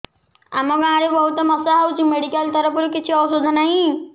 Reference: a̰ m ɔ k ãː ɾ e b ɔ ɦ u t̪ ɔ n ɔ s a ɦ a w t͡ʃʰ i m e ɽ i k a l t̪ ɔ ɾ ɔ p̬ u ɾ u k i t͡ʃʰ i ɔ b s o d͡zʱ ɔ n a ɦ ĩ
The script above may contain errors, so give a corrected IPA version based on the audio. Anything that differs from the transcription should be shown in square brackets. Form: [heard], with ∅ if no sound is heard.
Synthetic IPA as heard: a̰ m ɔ [ɡ] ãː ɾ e b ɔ ɦ u t̪ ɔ [m] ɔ s a ɦ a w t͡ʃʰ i m e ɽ i k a l t̪ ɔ ɾ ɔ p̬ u ɾ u k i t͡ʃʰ i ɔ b s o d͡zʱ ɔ n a ɦ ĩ